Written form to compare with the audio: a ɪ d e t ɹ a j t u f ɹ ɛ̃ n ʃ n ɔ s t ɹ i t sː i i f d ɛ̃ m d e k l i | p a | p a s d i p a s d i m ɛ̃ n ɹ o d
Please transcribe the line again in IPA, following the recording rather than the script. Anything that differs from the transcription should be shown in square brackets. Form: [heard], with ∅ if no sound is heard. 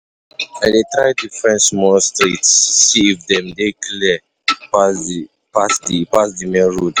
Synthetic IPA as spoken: a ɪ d e t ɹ a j t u f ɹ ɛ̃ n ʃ [m] ɔ s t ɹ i t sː i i f d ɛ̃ m d e k l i | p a | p a s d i p a s d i m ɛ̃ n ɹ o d